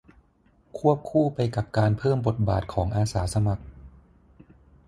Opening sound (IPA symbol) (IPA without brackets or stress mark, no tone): kʰ